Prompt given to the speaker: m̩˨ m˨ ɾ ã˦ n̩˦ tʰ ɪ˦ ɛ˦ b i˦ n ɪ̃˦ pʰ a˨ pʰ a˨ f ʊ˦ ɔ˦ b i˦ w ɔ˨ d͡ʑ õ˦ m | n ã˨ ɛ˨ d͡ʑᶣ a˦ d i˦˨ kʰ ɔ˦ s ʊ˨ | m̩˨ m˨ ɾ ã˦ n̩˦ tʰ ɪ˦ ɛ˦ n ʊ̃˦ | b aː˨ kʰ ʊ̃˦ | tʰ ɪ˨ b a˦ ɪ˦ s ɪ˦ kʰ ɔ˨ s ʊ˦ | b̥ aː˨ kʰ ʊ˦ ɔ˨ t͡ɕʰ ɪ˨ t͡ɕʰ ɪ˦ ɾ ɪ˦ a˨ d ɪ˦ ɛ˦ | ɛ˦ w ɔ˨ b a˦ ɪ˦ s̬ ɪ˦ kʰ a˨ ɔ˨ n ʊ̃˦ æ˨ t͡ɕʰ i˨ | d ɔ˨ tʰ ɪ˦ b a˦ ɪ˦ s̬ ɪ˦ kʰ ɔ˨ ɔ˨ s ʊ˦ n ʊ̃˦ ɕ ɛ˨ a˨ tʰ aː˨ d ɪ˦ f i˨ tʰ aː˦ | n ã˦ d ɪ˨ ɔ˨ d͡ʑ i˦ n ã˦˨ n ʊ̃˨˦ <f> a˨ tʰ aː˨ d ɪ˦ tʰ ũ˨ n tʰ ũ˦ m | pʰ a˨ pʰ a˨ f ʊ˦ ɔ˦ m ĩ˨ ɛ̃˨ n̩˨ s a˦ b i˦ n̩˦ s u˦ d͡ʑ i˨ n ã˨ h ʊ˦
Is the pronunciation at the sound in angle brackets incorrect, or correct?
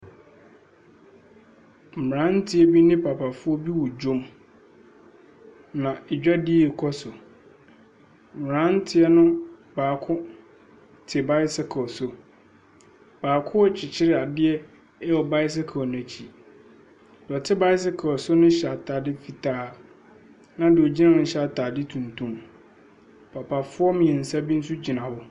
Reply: incorrect